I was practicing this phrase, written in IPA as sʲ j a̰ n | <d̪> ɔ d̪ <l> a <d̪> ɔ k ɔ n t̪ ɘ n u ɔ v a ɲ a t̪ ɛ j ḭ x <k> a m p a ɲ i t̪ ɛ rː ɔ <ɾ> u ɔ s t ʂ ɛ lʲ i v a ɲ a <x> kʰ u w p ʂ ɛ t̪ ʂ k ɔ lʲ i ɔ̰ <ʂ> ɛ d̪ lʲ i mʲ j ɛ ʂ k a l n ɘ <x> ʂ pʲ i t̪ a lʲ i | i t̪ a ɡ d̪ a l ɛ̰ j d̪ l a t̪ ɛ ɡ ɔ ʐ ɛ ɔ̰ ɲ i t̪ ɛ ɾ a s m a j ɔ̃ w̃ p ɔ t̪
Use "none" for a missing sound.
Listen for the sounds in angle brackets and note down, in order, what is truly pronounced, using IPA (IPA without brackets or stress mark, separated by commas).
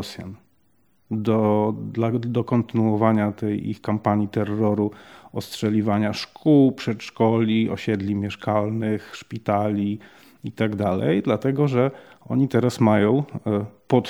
d̪, l, d̪, k, ɾ, ʂ, ɕ, x